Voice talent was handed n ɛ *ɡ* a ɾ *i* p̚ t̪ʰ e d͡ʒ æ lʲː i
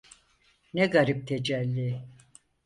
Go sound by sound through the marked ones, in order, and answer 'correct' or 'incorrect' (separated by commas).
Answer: correct, correct